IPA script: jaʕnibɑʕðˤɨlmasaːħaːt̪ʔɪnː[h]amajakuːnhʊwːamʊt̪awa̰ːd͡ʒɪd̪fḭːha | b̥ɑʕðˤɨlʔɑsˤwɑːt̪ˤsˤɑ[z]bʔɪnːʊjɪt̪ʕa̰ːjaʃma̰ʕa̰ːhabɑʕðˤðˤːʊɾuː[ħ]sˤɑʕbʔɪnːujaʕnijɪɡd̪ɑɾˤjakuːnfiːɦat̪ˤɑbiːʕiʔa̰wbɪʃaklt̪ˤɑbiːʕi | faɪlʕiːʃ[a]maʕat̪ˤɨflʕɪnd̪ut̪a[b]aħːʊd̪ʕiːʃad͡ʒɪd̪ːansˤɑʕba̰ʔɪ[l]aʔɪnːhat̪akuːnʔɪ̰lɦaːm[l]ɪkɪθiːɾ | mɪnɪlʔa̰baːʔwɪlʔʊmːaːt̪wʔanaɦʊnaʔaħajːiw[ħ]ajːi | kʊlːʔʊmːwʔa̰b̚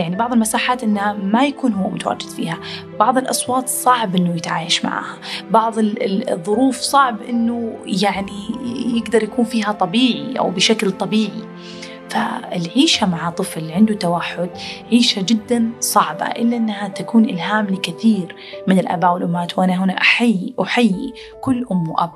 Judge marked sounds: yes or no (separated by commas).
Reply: yes, no, no, yes, no, no, yes, yes